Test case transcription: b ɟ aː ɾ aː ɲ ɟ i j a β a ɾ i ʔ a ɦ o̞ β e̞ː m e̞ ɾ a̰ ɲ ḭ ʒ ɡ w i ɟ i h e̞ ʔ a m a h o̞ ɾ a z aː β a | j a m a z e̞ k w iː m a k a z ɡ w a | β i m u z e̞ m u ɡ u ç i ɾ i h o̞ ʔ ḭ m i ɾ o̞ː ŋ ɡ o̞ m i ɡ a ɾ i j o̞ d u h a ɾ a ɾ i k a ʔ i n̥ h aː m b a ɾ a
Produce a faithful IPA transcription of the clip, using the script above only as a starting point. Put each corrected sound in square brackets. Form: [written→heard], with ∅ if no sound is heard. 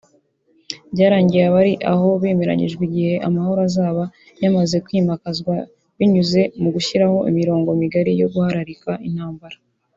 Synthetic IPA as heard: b ɟ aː ɾ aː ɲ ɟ i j a β a ɾ i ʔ a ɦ o̞ β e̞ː m e̞ ɾ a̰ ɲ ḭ ʒ ɡ w i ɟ i h e̞ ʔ a m a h o̞ ɾ a z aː β a | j a m a z e̞ k w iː m a k a z ɡ w a | β i [m→ɲ] u z e̞ m u ɡ u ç i ɾ [i→a] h o̞ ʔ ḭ m i ɾ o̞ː ŋ ɡ o̞ m i ɡ a ɾ i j o̞ [d→ɡ] u h a ɾ a ɾ i k a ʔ i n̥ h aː m b a ɾ a

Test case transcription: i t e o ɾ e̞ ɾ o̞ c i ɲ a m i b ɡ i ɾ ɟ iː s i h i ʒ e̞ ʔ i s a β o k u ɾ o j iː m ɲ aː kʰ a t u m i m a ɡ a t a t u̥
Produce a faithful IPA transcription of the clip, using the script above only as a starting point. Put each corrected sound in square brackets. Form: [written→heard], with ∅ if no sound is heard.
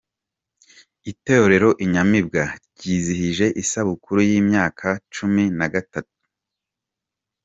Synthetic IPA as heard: i t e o ɾ e̞ ɾ o̞ [c→ʔ] i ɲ a m i b ɡ [i→a] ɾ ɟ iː [s→z] i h i ʒ e̞ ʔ i s a β [o→u] k u ɾ [o→u] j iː m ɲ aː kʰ a [t→t͡ʃ] u m i [m→n] a ɡ a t a t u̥

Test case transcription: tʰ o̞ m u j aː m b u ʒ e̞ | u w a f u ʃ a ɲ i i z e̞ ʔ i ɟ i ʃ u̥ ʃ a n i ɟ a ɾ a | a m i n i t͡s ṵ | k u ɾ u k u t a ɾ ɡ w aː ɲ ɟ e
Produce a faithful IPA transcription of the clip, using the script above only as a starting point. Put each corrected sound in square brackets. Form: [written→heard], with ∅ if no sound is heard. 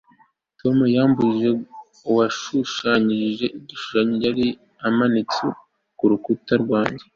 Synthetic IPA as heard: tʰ o̞ m u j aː m b u ʒ e̞ | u w a [f→ʃ] u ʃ a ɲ i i [z→ʒ] e̞ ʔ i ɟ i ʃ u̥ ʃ a [n→ɲ] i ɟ a ɾ [a→i] | a m [i→a] n i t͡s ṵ | k u ɾ u k u t a ɾ ɡ w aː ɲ ɟ e

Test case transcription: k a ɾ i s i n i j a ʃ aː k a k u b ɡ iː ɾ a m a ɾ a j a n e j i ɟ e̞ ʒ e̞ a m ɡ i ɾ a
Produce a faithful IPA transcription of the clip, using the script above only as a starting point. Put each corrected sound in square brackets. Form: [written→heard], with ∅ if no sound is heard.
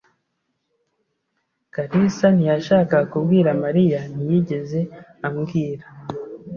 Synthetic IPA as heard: k a ɾ i s [i→a] n i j a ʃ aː k a k u b ɡ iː ɾ a m a ɾ [a→i] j a n [e→i] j i ɟ e̞ [ʒ→z] e̞ a m ɡ [i→iː] ɾ a

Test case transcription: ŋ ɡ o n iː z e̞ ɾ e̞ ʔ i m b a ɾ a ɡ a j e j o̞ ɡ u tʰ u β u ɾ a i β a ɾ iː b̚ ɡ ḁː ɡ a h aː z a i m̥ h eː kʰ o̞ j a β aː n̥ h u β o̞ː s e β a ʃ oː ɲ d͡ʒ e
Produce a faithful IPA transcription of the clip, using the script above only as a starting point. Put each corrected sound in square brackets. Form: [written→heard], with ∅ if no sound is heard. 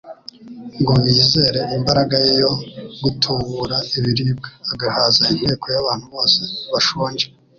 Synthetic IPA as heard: ŋ ɡ o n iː z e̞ ɾ e̞ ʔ i m b a ɾ a ɡ a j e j o̞ ɡ u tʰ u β u ɾ a i β [a→i] ɾ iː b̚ ɡ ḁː ɡ a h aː z a i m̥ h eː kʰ o̞ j a β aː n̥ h u β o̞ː s e β a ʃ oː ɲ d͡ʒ e

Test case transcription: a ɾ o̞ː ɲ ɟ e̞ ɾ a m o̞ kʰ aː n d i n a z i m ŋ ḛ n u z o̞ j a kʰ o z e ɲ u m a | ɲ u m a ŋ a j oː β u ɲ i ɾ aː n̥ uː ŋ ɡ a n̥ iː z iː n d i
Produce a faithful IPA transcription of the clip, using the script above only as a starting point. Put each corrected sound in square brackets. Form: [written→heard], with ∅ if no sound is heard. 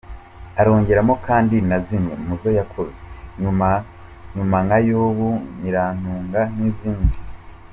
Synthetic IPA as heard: a ɾ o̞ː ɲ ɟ e̞ ɾ a m o̞ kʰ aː n d i n a z i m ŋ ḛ [n→m] u z o̞ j a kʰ o z e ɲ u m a | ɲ u m a ŋ a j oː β u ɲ i ɾ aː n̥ uː ŋ ɡ a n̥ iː z iː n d i

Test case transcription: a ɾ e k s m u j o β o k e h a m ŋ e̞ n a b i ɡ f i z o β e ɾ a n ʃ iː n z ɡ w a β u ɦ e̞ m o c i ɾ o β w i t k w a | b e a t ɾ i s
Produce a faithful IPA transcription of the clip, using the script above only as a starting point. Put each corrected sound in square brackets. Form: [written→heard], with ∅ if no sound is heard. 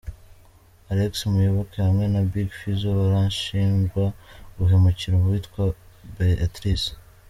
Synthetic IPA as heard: a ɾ e k s m u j o β o k e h a m ŋ e̞ n a b i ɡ f i z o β [e→a] ɾ a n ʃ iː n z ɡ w a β u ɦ e̞ m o c i ɾ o β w i t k w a | b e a t ɾ i s

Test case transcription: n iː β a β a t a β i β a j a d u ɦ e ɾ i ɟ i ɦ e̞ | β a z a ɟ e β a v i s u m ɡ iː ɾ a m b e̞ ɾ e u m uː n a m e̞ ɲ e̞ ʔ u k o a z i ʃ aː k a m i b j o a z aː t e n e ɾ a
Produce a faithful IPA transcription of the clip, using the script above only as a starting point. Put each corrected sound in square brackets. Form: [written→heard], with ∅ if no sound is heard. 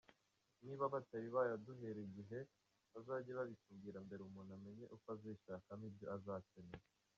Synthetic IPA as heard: n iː β a β a t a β i β a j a d u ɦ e ɾ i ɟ i ɦ e̞ | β a z a ɟ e β a [v→β] i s u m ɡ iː ɾ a m b e̞ ɾ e u m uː n a m e̞ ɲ e̞ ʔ u k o a z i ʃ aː k a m i b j o a z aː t e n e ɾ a

